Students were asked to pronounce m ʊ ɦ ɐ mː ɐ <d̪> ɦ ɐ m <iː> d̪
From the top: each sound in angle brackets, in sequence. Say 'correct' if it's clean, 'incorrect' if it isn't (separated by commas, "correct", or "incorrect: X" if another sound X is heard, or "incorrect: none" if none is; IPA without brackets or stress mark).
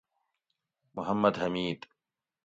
correct, correct